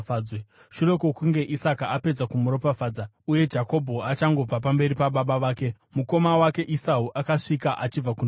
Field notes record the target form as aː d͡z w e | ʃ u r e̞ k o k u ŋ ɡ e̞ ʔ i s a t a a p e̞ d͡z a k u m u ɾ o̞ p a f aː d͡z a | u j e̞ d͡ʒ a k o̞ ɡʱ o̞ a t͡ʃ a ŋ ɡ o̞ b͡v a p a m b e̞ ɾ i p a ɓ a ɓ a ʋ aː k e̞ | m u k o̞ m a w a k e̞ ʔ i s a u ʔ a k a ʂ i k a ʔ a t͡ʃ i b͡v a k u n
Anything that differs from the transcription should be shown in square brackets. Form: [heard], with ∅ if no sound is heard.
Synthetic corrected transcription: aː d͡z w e | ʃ u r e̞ k o k u ŋ ɡ e̞ ʔ i s a [k] a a p e̞ d͡z a k u m u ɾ o̞ p a f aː d͡z a | u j e̞ d͡ʒ a k o̞ [bʱ] o̞ a t͡ʃ a ŋ ɡ o̞ b͡v a p a m b e̞ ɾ i p a ɓ a ɓ a ʋ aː k e̞ | m u k o̞ m a w a k e̞ ʔ i s a u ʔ a k a ʂ i k a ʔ a t͡ʃ i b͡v a k u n